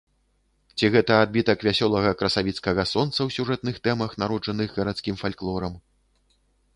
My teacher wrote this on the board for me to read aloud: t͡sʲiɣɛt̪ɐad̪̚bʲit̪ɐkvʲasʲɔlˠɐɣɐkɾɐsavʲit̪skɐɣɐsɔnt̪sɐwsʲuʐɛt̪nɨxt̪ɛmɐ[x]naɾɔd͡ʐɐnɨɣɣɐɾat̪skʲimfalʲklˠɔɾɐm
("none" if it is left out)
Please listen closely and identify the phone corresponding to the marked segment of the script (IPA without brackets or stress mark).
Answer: x